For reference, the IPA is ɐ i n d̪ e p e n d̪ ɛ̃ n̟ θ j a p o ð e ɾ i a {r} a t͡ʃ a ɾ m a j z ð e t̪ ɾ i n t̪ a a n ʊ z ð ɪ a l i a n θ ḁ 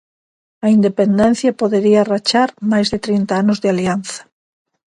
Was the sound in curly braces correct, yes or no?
yes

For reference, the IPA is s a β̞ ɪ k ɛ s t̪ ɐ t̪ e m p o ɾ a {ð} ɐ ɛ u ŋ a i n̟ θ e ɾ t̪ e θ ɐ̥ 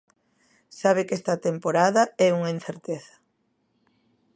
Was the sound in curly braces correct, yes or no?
yes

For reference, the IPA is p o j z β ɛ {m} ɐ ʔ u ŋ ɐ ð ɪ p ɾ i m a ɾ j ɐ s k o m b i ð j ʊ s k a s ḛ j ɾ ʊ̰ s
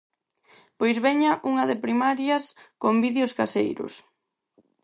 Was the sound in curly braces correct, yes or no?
no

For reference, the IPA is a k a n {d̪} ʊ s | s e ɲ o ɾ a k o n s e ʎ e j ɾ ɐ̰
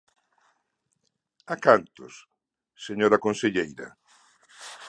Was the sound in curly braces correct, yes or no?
no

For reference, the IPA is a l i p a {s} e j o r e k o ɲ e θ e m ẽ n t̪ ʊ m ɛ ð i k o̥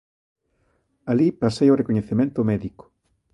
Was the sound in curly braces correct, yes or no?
yes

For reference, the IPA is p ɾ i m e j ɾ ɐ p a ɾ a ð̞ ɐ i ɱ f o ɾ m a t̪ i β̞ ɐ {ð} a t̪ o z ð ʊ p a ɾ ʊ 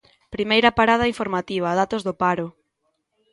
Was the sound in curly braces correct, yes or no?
yes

